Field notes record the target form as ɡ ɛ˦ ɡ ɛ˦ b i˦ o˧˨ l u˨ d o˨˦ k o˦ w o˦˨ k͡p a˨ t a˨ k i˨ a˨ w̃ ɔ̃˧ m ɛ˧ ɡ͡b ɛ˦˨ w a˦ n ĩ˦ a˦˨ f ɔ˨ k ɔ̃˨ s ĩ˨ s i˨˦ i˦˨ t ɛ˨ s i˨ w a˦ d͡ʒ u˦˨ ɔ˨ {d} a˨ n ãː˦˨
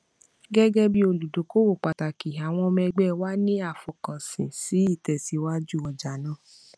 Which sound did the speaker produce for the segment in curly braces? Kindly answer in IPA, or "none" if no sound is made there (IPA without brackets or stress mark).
d͡ʒ